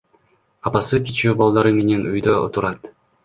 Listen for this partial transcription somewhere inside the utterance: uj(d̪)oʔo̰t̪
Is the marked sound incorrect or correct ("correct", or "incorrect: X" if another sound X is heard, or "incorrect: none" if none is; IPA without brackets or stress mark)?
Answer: correct